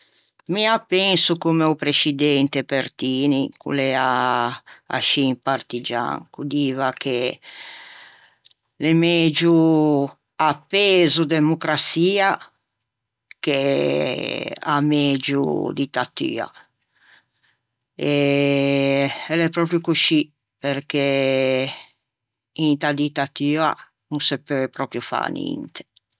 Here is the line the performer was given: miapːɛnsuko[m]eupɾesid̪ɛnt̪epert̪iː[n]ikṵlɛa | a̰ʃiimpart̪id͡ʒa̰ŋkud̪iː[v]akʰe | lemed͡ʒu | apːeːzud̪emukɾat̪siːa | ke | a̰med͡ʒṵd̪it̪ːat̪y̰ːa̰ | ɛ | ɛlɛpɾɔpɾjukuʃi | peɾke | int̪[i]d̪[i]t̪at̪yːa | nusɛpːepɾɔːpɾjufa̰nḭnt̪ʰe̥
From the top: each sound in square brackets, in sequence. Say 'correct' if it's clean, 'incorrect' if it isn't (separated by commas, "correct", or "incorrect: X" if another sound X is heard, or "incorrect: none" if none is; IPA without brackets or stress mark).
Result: correct, correct, correct, incorrect: a, correct